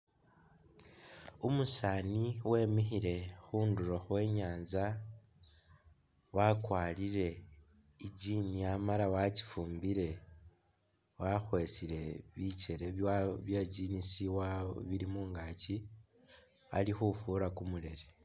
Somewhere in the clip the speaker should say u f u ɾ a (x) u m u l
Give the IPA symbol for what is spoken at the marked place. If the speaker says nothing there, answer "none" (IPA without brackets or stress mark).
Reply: k